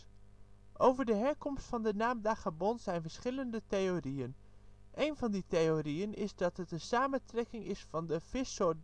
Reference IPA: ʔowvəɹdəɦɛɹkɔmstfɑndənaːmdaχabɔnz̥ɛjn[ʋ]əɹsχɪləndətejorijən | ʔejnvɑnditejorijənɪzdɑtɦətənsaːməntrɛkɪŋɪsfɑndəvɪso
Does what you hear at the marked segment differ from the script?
yes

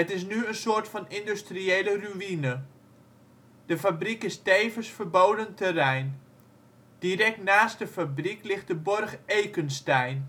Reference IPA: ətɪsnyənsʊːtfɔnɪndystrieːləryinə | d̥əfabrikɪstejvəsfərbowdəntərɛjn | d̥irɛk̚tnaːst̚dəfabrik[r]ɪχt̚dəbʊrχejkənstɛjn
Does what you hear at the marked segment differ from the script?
yes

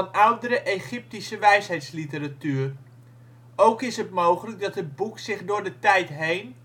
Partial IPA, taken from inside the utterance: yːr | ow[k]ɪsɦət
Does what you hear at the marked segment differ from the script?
no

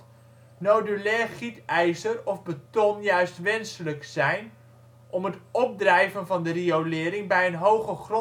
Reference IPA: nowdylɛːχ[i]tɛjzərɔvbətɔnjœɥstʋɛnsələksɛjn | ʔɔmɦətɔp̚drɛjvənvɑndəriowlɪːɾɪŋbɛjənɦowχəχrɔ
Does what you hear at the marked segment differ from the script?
no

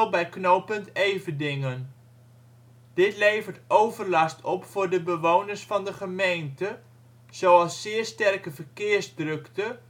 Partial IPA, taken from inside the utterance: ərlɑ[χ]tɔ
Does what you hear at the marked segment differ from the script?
yes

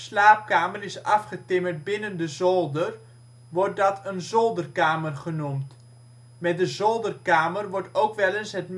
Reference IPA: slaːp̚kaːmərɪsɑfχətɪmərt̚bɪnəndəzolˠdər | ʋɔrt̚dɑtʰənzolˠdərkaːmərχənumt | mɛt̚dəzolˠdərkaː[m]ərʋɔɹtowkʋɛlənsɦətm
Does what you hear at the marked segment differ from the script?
no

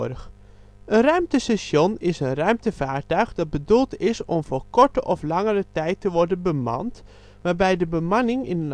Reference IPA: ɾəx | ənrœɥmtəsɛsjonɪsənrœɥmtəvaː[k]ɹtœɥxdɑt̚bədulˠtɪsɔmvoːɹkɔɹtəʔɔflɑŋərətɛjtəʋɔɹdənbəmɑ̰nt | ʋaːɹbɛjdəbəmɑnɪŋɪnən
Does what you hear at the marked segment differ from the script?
yes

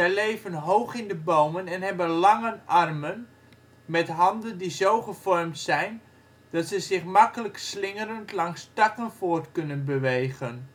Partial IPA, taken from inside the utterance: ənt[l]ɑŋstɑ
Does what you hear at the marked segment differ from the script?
no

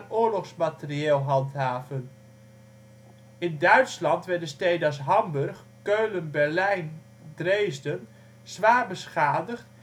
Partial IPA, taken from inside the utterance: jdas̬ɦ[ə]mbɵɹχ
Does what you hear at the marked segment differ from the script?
yes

